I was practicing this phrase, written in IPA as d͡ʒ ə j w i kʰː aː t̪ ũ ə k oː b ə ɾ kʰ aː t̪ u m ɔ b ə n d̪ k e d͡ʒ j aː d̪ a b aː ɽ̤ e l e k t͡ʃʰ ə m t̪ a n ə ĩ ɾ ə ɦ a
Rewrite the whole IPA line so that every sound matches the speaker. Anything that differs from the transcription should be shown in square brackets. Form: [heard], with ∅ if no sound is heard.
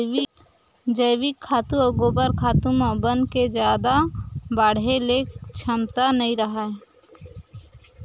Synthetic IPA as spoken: d͡ʒ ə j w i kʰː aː t̪ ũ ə [ɡ] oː b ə ɾ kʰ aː t̪ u m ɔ b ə n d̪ k e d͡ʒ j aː d̪ a b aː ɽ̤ e l e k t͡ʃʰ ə m t̪ a n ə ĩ ɾ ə ɦ a